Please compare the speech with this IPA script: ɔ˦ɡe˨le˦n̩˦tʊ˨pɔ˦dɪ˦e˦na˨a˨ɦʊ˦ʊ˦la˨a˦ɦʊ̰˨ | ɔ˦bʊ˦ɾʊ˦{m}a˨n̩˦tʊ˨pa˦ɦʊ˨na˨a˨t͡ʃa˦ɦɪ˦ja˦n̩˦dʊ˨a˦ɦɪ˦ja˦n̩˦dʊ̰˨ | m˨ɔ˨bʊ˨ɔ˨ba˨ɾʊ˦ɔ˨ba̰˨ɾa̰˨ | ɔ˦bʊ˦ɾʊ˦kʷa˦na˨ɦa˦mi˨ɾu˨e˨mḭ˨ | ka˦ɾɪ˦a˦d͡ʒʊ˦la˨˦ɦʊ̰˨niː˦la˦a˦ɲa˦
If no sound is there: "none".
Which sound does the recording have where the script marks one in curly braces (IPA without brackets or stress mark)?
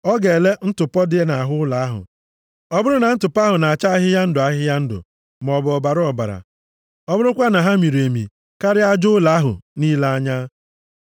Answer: n